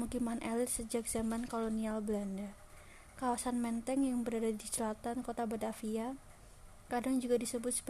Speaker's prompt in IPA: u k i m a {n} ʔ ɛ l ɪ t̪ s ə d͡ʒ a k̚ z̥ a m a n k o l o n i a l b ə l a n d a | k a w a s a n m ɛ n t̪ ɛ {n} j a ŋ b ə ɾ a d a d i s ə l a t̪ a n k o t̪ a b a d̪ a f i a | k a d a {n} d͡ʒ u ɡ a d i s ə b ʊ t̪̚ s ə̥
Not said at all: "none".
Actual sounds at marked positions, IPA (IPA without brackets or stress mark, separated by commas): n, ŋ, ŋ